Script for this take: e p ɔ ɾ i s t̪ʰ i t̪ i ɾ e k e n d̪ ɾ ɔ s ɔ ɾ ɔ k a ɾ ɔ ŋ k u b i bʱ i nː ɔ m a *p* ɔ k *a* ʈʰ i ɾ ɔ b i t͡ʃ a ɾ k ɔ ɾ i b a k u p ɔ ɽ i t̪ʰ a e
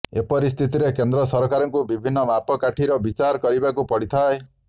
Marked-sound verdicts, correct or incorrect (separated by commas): correct, correct